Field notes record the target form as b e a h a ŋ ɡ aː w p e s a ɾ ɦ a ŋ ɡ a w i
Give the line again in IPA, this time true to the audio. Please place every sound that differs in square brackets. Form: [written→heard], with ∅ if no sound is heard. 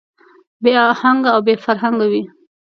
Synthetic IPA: b e a h a ŋ ɡ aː w [p→b] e [s→f] a ɾ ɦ a ŋ ɡ a w i